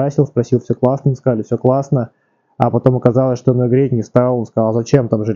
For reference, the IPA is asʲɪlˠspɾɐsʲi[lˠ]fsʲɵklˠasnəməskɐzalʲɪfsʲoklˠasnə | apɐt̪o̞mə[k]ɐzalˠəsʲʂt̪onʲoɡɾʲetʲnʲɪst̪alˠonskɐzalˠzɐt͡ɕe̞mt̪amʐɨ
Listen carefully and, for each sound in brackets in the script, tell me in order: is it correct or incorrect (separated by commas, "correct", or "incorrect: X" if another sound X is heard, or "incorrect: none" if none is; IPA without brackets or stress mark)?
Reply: correct, correct